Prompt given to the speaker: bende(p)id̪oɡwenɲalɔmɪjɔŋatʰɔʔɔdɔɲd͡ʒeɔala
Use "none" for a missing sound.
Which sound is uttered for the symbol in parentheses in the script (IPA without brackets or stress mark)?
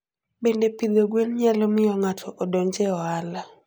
p